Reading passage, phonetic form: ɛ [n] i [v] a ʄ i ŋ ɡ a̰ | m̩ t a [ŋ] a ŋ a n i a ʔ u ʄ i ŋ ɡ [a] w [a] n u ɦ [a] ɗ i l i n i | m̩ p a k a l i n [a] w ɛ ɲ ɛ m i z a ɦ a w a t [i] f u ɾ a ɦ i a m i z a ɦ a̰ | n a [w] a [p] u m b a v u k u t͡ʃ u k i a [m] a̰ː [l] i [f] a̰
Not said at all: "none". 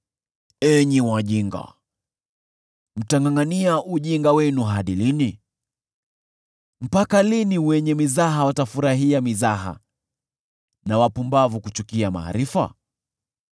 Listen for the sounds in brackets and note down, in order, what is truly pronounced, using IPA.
ɲ, w, ŋ, a, ɛ, a, i, a, w, p, m, ɾ, f

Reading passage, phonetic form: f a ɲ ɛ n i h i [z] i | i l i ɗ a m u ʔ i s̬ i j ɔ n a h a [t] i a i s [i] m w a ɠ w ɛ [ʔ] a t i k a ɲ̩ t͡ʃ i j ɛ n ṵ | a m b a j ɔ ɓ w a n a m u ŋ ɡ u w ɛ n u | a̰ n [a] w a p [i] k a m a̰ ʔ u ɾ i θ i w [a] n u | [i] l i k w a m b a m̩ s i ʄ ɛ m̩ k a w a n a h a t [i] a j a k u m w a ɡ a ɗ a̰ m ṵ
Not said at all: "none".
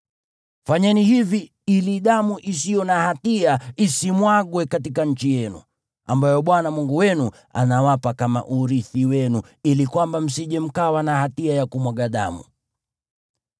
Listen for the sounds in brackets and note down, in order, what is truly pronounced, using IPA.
v, t, i, k, a, a, ɛ, i, i

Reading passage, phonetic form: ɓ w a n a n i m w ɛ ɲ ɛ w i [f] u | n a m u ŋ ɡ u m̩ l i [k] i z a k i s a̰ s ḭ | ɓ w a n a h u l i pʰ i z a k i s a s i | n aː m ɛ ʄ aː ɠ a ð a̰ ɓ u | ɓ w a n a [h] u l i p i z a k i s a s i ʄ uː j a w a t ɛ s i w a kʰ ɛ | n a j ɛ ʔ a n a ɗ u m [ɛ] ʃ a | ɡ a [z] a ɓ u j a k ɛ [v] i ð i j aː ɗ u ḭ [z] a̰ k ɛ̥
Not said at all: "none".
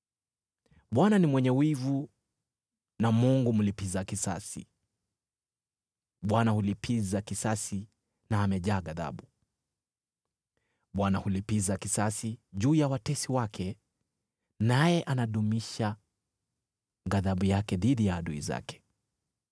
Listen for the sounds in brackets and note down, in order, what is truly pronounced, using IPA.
v, p, h, i, ð, ð, z

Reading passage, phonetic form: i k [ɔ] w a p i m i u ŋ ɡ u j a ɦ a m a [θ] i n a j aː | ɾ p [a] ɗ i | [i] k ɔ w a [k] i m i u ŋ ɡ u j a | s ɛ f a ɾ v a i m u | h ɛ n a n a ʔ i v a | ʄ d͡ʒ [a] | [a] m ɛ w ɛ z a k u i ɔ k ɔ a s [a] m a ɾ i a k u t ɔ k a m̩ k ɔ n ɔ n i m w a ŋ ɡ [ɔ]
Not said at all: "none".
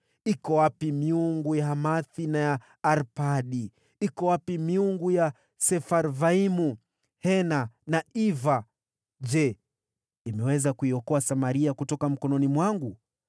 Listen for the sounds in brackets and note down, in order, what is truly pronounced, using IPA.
ɔ, θ, a, i, p, ɛ, i, a, u

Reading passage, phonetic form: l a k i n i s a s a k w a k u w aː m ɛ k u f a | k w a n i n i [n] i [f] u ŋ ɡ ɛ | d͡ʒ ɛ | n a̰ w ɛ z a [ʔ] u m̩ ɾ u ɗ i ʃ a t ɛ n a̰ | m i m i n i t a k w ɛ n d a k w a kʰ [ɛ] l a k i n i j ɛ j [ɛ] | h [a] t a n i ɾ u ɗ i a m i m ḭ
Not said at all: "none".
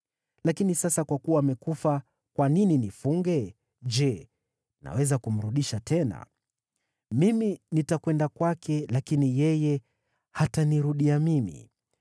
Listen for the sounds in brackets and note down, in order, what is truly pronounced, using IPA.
n, f, k, ɛ, ɛ, a

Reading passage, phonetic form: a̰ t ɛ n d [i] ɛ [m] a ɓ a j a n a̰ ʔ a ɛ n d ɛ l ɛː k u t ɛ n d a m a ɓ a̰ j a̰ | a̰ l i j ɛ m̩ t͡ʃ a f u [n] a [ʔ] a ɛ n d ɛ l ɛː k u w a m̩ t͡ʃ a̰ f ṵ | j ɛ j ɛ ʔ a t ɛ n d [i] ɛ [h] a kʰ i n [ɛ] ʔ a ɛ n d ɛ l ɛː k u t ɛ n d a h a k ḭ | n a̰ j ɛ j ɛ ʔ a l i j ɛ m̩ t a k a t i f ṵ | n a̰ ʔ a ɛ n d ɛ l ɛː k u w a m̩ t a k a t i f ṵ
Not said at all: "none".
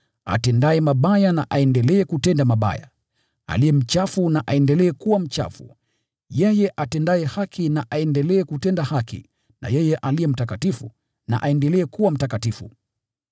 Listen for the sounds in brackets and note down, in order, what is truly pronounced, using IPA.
a, m, n, ʔ, a, h, a

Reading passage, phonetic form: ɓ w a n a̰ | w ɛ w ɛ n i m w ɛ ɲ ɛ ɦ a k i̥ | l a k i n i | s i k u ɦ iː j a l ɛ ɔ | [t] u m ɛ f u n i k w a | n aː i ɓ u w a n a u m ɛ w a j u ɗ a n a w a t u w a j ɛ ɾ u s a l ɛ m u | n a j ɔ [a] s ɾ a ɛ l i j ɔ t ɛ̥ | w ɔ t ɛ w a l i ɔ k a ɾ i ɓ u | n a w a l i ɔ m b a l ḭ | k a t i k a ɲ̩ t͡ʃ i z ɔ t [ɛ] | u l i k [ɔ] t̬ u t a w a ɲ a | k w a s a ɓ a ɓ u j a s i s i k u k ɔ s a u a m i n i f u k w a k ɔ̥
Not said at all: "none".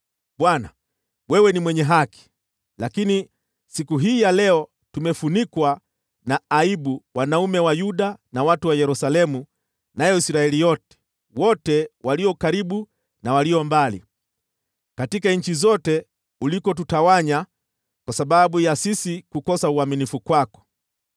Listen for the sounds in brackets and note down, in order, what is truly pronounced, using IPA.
t, i, ɛ, ɔ

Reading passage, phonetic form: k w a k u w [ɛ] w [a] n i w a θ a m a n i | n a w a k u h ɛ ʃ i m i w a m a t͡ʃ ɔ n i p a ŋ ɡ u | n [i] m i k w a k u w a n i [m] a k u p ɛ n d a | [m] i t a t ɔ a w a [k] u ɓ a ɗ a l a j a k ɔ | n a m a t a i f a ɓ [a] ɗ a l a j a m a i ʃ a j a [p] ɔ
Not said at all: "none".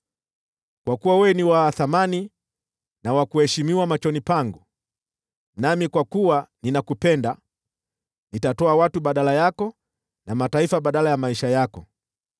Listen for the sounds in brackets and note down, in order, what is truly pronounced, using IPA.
a, ɛ, a, n, n, t, a, k

